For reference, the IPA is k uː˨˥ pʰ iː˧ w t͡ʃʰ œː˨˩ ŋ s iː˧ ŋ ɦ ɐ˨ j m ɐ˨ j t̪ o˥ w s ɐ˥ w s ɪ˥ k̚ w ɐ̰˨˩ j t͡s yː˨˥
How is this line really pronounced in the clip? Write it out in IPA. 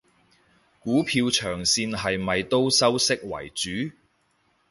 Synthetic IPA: k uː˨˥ pʰ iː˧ w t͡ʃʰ œː˨˩ ŋ s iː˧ n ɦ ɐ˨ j m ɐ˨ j t̪ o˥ w s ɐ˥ w s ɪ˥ k̚ w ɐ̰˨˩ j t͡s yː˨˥

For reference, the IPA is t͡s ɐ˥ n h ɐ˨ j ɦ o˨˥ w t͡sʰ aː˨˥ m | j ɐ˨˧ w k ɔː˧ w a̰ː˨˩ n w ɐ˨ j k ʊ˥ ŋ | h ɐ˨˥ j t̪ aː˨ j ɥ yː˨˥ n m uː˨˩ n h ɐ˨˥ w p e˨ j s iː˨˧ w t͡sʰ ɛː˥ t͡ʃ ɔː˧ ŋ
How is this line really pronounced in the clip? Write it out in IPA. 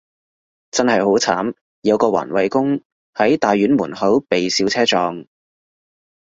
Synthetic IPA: t͡s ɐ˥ n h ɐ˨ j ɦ o˨˥ w t͡sʰ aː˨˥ m | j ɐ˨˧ w k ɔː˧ w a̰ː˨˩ n w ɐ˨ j k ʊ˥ ŋ | h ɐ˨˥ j t̪ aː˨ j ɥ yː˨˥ n m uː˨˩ n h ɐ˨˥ w p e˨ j s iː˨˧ w t͡sʰ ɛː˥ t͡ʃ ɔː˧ ŋ

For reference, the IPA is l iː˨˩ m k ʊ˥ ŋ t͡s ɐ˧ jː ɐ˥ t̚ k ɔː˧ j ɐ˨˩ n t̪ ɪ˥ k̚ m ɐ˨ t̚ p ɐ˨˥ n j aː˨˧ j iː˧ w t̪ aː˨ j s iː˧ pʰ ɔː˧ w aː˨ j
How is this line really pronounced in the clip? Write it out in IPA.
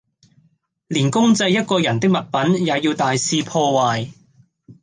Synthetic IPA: l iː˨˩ n k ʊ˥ ŋ t͡s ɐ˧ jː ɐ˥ t̚ k ɔː˧ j ɐ˨˩ n t̪ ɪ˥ k̚ m ɐ˨ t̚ p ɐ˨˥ n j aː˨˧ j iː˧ w t̪ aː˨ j s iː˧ pʰ ɔː˧ w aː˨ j

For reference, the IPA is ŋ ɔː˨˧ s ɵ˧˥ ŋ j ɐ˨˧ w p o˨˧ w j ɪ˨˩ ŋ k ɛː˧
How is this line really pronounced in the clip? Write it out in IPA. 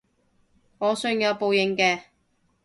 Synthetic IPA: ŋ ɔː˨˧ s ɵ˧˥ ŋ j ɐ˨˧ w p o˨˧ w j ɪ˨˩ ŋ k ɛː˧

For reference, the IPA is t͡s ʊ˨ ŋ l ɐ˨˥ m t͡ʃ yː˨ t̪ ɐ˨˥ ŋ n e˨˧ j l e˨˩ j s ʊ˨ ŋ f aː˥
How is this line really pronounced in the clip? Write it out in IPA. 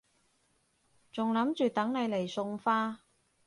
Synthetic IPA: t͡s ʊ˨ ŋ l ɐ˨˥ m t͡ʃ yː˨ t̪ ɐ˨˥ ŋ n e˨˧ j l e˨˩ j s ʊ˨ ŋ f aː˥

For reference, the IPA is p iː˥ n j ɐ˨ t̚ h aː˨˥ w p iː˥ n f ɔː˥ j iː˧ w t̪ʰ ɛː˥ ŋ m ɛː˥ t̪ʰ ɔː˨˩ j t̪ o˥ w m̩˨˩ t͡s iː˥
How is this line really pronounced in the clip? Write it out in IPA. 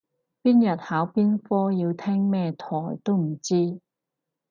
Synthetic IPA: p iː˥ n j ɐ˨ t̚ h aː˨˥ w p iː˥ n f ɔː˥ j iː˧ w t̪ʰ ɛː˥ ŋ m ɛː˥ t̪ʰ ɔː˨˩ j t̪ o˥ w m̩˨˩ t͡s iː˥

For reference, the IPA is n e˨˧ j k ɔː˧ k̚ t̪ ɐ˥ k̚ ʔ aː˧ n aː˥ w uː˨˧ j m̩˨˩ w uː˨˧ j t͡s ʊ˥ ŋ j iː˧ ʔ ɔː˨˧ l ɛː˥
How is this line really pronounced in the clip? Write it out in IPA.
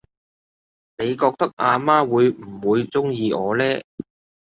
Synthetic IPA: n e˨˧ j k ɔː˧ k̚ t̪ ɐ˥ k̚ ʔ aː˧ m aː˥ w uː˨˧ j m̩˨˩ w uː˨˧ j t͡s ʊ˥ ŋ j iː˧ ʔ ɔː˨˧ l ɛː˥

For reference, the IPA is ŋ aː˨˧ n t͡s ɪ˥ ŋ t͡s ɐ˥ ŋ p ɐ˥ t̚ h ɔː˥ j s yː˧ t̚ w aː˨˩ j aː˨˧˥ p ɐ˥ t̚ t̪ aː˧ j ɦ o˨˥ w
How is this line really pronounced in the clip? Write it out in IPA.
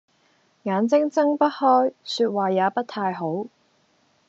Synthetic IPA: ŋ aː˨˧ n t͡s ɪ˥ ŋ t͡s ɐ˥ ŋ p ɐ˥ t̚ h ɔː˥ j s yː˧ t̚ w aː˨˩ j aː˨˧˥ p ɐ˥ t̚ t̪ʰ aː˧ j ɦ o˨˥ w

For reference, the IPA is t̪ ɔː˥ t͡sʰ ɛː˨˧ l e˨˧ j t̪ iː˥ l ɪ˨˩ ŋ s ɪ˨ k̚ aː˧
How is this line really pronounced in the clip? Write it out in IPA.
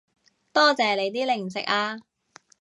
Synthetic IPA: t̪ ɔː˥ t͡s ɛː˨˧ l e˨˧ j t̪ iː˥ l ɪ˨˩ ŋ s ɪ˨ k̚ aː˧

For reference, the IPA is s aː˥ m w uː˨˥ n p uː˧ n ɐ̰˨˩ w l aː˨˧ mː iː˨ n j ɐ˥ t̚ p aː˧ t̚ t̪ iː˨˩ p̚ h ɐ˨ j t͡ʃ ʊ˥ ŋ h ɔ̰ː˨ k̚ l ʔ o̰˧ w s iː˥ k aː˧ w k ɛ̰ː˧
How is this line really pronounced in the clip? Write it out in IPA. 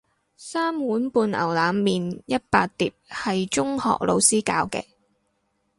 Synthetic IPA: s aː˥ m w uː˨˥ n p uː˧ n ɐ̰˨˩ w l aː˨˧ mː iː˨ n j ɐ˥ t̚ p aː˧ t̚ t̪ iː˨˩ p̚ h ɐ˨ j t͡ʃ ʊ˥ ŋ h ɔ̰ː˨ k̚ l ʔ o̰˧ w s iː˥ k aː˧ w k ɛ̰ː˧

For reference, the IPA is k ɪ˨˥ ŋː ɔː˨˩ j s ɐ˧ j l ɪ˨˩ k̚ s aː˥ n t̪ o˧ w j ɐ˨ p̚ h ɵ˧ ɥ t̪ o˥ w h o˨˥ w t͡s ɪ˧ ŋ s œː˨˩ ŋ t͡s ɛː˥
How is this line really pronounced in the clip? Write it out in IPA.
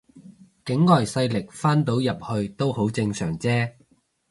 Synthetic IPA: k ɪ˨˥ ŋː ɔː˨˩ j s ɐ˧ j l ɪ˨˩ k̚ f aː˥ n t̪ o˨˥ w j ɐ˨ p̚ h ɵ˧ ɥ t̪ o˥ w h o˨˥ w t͡s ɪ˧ ŋ s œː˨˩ ŋ t͡s ɛː˥

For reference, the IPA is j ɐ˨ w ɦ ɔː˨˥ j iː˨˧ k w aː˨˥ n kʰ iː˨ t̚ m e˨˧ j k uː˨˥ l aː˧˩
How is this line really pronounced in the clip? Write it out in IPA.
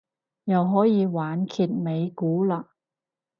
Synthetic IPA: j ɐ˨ w ɦ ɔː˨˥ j iː˨˧ w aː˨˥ n kʰ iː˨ t̚ m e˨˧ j k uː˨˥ l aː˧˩

